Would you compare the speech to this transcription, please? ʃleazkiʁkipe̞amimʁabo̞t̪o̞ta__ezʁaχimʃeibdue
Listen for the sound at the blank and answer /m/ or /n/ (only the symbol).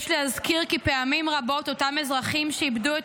m